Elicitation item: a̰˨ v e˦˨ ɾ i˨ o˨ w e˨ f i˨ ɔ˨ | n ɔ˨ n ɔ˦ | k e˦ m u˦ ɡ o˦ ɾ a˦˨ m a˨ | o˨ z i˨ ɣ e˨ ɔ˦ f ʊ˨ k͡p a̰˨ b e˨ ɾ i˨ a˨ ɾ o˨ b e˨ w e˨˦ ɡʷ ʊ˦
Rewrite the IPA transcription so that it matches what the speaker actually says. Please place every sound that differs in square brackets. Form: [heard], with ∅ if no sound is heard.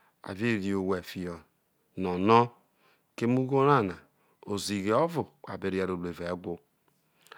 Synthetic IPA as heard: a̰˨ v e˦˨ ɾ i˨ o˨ w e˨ f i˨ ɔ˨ | n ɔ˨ n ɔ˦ | k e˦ m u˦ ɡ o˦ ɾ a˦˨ [n] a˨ | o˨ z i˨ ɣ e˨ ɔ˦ [v] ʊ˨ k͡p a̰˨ b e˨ ɾ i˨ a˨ ɾ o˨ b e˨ [v] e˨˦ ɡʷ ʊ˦